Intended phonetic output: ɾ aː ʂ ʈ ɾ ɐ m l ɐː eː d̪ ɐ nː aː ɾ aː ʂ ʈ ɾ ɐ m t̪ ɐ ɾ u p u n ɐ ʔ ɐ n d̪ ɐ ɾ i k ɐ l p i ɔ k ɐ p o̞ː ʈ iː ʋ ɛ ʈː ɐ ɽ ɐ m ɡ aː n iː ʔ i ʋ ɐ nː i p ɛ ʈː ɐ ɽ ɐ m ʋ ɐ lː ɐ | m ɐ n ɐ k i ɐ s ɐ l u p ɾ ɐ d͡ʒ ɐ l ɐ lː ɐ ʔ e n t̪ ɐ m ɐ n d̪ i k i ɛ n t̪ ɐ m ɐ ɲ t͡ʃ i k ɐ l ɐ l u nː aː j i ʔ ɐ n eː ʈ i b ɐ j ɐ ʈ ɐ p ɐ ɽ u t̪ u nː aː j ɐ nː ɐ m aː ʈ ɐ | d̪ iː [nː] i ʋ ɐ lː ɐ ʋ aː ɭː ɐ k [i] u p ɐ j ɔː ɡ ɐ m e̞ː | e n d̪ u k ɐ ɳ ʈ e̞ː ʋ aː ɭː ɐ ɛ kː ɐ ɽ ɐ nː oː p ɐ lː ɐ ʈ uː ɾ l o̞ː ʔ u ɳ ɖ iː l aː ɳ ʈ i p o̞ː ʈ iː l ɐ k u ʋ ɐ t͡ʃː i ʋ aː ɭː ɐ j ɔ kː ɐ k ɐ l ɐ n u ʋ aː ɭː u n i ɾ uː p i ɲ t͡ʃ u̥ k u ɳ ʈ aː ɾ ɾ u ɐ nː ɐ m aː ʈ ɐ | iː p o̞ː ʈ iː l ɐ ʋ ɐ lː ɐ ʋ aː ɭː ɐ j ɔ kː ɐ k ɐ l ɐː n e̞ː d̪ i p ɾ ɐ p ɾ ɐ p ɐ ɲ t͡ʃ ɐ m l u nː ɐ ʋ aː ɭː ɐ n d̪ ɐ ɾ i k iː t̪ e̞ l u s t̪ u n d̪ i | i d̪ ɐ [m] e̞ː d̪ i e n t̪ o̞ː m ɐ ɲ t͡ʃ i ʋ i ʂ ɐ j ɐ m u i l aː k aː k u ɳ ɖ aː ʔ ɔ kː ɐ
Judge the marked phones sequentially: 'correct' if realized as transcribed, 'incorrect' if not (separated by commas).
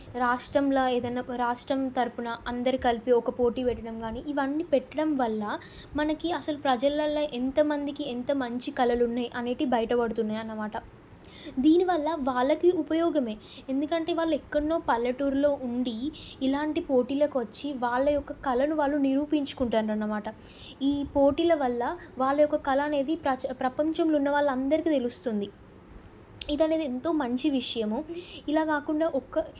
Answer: incorrect, correct, incorrect